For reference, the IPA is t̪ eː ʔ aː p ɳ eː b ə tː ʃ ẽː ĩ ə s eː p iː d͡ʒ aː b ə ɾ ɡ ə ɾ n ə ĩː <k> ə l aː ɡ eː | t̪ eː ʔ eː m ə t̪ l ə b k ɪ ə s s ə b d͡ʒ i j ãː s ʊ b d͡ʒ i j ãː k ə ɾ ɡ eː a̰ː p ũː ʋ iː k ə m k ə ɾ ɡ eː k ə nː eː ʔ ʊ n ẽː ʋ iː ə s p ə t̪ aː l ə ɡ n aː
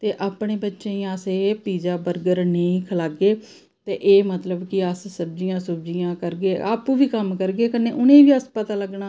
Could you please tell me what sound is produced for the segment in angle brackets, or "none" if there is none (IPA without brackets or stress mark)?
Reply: kʰ